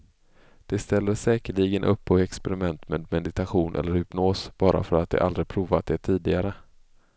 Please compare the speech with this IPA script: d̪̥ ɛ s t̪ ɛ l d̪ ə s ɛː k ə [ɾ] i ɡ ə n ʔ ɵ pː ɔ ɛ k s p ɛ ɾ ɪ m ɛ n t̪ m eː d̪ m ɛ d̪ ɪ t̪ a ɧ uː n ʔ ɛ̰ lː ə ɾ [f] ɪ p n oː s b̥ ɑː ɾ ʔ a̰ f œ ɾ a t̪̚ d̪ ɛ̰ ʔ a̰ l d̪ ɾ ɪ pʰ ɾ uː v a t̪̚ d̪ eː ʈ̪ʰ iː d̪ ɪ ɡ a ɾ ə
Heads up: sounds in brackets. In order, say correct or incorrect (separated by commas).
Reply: incorrect, incorrect